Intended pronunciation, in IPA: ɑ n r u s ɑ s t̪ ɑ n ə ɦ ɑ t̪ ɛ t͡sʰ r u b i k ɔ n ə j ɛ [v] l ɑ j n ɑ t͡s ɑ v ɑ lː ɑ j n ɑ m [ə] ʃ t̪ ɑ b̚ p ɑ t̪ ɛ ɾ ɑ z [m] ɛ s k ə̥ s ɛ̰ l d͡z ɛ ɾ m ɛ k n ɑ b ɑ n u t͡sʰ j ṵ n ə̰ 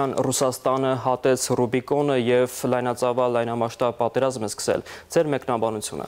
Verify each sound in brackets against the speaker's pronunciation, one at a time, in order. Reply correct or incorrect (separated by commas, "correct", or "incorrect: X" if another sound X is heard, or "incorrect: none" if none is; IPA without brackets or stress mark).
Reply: correct, incorrect: ɑ, correct